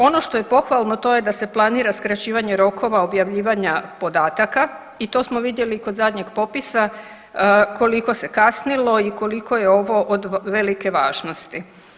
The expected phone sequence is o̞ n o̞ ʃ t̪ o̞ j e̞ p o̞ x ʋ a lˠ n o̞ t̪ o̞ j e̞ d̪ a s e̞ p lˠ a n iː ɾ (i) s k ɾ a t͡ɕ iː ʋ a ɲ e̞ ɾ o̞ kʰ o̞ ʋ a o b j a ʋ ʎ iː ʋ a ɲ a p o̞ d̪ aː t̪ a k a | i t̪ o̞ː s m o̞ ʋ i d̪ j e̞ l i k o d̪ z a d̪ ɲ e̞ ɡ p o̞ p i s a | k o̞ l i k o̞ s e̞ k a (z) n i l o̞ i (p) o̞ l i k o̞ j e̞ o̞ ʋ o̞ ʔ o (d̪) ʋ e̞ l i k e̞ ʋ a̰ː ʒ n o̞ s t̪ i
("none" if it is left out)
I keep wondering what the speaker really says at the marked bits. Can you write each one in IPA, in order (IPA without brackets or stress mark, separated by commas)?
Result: a, s, k, d̪